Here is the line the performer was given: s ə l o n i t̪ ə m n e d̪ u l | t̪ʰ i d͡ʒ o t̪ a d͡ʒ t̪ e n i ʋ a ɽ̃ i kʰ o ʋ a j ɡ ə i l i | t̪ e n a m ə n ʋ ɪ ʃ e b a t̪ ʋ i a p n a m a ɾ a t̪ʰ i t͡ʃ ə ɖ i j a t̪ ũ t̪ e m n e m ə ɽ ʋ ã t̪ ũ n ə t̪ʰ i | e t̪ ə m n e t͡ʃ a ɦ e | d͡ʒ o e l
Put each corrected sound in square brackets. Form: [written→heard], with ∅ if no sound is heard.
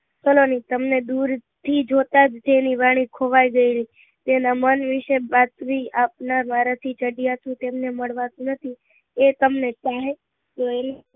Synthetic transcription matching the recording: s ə l o n i t̪ ə m n e d̪ u [l→ɾ] | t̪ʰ i d͡ʒ o t̪ a d͡ʒ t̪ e n i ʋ a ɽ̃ i kʰ o ʋ a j ɡ ə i l i | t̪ e n a m ə n ʋ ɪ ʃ e b a t̪ ʋ i a p n a m a ɾ a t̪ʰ i t͡ʃ ə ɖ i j a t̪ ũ t̪ e m n e m ə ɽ ʋ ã t̪ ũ n ə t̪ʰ i | e t̪ ə m n e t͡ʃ a ɦ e | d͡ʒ o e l